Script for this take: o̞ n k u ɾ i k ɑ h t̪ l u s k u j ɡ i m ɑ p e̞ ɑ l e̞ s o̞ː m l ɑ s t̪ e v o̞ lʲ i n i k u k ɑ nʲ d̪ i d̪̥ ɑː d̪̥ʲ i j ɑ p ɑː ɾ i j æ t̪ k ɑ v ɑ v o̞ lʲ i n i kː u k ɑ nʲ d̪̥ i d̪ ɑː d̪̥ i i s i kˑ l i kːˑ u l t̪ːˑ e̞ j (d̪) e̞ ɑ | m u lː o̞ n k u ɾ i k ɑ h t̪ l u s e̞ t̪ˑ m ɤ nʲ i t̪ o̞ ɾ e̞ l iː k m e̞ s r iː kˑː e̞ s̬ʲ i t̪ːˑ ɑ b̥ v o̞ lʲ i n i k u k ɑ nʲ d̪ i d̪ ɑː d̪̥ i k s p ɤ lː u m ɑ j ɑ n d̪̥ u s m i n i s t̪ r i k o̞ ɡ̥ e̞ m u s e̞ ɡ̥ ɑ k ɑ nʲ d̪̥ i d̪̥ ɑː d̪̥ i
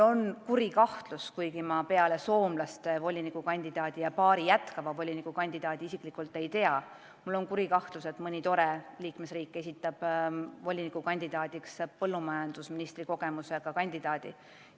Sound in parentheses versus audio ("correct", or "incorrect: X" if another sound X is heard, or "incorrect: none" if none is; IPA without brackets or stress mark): incorrect: t̪